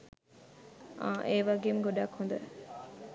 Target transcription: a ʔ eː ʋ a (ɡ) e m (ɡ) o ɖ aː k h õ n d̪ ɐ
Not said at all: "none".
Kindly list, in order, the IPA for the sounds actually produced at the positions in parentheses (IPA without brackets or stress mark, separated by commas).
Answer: ɡ, ɡ